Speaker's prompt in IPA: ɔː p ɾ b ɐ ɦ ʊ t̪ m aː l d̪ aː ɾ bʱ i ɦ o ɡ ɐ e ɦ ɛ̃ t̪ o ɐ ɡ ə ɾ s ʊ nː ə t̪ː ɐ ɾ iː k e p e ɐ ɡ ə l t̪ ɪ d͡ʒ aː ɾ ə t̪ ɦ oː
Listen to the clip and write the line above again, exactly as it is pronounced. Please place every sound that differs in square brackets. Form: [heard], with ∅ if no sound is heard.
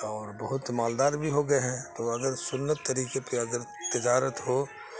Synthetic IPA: ɔː [∅] ɾ b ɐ ɦ ʊ t̪ m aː l d̪ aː ɾ bʱ i ɦ o ɡ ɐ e ɦ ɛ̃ t̪ o ɐ ɡ ə ɾ s ʊ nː ə t̪ː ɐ ɾ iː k e p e ɐ ɡ ə [ɾ] t̪ ɪ d͡ʒ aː ɾ ə t̪ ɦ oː